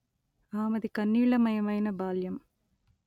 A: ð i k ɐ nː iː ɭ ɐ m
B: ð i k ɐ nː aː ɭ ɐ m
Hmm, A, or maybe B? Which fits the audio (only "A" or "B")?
A